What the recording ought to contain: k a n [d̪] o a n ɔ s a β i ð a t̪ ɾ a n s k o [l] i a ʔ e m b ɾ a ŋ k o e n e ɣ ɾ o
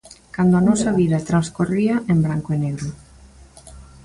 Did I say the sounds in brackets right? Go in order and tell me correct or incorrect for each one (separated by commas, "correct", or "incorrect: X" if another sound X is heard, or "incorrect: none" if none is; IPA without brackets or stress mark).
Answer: correct, incorrect: r